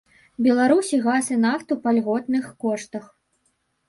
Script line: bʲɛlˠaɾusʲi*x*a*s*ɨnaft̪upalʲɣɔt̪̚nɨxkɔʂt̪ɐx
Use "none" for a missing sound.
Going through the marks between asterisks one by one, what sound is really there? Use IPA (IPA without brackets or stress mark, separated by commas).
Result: ɣ, s